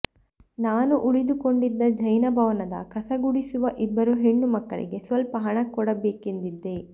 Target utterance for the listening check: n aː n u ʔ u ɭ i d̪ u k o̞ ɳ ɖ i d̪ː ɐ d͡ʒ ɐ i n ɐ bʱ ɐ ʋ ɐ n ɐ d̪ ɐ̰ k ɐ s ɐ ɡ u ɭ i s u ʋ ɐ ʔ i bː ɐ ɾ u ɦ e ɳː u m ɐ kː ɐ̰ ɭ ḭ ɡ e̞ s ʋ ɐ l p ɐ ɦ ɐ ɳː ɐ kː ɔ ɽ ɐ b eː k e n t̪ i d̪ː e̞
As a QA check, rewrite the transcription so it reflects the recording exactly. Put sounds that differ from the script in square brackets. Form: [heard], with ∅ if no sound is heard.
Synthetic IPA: n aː n u ʔ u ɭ i d̪ u k o̞ ɳ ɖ i d̪ː ɐ d͡ʒ ɐ [j] n ɐ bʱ ɐ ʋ ɐ n ɐ d̪ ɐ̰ k ɐ s ɐ ɡ u [ɽ] i s u ʋ ɐ ʔ i bː ɐ ɾ u ɦ e ɳː u m ɐ kː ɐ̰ ɭ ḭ ɡ e̞ s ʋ ɐ l p ɐ ɦ ɐ [ɳ] ɐ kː ɔ ɽ ɐ b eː k e n [d̪] i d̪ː e̞